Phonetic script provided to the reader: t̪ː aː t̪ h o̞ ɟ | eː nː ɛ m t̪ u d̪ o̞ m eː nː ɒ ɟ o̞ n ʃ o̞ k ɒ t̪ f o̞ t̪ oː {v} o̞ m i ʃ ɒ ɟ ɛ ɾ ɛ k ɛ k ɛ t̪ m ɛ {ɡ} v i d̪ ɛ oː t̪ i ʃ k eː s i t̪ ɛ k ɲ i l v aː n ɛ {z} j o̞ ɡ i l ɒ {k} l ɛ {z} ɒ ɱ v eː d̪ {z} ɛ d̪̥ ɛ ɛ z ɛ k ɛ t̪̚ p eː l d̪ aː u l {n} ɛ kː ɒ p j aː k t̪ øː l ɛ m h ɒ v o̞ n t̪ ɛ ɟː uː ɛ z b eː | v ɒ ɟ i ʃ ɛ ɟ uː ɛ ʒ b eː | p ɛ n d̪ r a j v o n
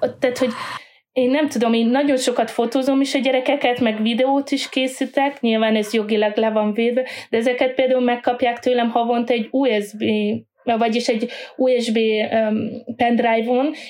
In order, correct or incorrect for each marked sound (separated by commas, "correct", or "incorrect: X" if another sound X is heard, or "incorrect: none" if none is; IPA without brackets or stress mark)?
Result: incorrect: z, correct, correct, incorrect: ɡ, incorrect: v, incorrect: v, incorrect: m